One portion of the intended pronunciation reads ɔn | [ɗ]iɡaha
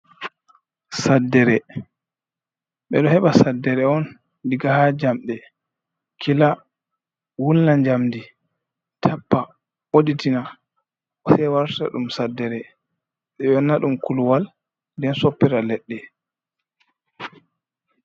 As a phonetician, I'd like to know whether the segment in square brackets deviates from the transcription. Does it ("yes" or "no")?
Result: yes